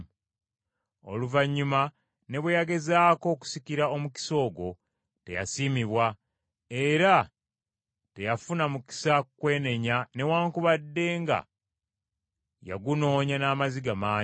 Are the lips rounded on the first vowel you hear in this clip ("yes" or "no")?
yes